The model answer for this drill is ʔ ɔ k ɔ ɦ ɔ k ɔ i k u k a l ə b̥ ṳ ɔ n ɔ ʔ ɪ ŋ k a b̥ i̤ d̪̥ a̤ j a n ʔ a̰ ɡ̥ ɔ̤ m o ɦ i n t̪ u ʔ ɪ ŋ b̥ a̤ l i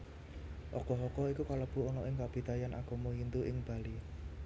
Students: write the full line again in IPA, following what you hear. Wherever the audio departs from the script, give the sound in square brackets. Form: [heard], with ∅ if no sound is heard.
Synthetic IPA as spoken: ʔ ɔ k ɔ ɦ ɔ k ɔ i k u k a l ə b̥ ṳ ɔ n ɔ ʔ ɪ ŋ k a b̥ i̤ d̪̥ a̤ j a n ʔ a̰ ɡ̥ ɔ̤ m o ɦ i n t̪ u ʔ ɪ ŋ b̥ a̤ l i